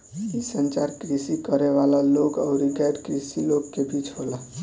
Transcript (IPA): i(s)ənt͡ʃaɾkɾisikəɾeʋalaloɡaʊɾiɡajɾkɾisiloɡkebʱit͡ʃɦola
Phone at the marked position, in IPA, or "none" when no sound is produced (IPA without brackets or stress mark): s